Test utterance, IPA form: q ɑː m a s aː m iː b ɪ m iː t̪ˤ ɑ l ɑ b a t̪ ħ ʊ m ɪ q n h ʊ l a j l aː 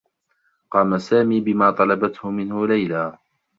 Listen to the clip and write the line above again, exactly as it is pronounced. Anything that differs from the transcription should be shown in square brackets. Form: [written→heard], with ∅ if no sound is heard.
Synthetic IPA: q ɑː m a s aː m iː b ɪ m [iː→aː] t̪ˤ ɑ l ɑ b a t̪ [ħ→h] ʊ m ɪ [q→∅] n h ʊ l a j l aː